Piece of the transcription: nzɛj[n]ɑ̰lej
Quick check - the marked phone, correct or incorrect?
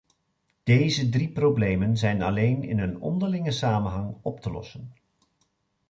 correct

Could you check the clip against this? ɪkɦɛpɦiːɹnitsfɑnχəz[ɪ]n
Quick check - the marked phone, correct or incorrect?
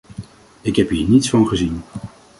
incorrect: i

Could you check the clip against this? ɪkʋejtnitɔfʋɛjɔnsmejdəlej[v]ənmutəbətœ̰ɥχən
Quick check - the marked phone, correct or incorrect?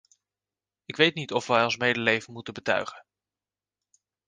correct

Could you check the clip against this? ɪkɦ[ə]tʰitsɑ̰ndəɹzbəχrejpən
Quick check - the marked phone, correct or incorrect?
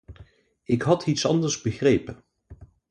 incorrect: ɑ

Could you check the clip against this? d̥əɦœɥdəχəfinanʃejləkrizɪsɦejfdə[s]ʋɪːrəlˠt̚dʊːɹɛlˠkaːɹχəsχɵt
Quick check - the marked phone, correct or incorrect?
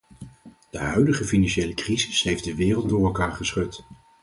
incorrect: none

